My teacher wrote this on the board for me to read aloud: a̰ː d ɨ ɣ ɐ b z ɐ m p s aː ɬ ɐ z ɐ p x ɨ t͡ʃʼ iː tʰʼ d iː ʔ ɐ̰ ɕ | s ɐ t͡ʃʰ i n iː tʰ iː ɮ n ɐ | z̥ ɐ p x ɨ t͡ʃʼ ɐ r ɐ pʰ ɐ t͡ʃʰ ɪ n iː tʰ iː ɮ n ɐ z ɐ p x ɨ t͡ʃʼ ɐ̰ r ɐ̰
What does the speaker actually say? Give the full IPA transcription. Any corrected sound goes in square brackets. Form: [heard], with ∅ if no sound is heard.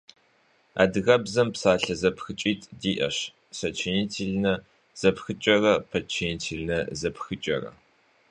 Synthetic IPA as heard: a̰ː d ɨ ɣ ɐ b z ɐ m p s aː ɬ ɐ z ɐ p x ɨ t͡ʃʼ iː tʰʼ d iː ʔ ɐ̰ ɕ | s ɐ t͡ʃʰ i n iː tʰ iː ɮ n ɐ | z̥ ɐ p x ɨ t͡ʃʼ ɐ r ɐ pʰ ɐ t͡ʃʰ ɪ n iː tʰ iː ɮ n ɐ z ɐ p x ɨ t͡ʃʼ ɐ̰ r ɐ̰